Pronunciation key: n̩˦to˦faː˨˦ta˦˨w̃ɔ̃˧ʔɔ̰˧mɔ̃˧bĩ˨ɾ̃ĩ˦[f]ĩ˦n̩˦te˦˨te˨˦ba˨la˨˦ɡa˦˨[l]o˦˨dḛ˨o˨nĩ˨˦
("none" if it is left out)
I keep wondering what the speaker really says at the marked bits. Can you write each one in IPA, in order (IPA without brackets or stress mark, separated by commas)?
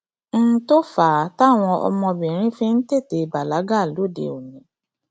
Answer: f, l